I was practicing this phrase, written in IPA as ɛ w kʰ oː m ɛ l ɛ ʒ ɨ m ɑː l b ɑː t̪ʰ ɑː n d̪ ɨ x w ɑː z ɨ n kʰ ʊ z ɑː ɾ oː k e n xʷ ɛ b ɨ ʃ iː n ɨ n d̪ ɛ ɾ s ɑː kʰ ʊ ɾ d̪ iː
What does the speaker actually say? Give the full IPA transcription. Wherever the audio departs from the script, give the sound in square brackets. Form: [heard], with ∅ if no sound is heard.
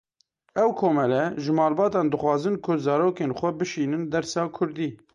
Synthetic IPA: ɛ w kʰ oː m ɛ l ɛ ʒ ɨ m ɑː l b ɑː [t̪] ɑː n d̪ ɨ x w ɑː z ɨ n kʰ ʊ z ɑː ɾ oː k e n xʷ ɛ b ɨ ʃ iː n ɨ n d̪ ɛ ɾ s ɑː kʰ ʊ ɾ d̪ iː